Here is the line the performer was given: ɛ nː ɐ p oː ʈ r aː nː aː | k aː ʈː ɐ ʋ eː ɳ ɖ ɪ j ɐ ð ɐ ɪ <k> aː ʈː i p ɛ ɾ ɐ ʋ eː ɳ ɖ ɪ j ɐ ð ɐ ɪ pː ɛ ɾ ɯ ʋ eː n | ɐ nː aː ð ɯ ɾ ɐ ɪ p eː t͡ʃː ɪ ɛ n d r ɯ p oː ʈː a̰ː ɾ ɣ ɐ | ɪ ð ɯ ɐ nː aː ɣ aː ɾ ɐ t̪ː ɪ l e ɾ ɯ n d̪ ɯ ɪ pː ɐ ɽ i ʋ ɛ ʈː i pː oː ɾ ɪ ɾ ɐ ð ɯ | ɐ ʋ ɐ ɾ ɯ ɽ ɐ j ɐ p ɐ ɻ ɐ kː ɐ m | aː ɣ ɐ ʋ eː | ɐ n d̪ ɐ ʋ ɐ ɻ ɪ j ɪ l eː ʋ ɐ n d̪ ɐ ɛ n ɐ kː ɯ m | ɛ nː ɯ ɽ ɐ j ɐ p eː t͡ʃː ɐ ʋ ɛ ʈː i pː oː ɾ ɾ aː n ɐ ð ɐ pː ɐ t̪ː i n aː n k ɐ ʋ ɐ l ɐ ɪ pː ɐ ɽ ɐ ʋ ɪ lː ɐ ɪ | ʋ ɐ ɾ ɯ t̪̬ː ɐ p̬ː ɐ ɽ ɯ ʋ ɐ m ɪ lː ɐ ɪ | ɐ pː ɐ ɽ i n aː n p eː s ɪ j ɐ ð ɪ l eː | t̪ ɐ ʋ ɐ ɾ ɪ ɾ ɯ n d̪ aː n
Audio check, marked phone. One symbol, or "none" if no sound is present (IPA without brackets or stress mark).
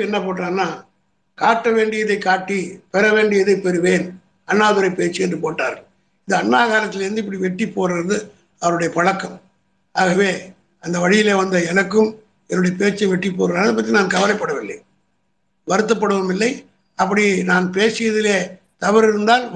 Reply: k